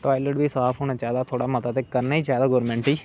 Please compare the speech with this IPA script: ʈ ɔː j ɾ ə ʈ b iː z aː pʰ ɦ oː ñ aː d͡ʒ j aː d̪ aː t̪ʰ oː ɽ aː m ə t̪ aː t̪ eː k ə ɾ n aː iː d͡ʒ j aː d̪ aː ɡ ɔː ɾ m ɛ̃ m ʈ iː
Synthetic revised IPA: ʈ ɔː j l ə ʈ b iː s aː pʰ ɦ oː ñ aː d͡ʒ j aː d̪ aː t̪ʰ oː ɽ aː m ə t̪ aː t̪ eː k ə ɾ n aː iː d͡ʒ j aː d̪ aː ɡ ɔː ɾ m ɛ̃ ɳ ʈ iː